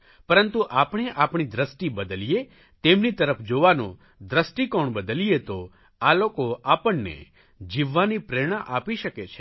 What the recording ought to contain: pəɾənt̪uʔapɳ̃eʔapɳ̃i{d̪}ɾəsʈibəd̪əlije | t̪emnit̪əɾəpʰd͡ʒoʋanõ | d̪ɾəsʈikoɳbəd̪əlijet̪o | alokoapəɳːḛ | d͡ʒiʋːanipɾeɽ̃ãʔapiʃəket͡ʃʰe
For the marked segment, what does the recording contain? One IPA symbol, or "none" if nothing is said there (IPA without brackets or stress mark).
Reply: d̪